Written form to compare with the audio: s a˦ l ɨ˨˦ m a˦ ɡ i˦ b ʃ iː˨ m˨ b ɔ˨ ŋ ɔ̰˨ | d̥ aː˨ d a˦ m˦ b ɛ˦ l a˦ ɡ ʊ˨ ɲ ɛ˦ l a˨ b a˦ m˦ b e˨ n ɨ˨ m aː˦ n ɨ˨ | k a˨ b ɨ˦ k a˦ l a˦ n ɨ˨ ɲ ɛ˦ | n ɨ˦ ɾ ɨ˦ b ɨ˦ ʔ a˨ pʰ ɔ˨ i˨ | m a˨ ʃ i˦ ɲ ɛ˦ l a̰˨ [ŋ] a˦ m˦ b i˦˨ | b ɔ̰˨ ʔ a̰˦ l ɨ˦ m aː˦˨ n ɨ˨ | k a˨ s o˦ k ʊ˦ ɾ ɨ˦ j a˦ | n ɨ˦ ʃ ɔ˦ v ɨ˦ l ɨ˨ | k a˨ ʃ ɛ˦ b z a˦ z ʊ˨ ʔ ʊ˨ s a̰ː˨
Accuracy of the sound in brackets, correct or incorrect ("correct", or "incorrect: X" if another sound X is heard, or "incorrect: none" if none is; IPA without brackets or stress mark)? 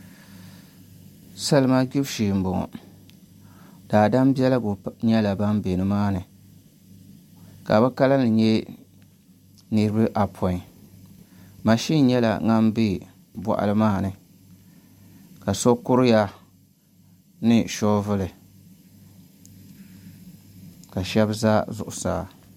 correct